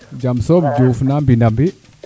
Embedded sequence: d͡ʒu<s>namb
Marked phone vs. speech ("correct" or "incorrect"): incorrect